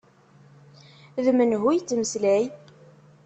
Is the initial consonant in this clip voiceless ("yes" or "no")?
no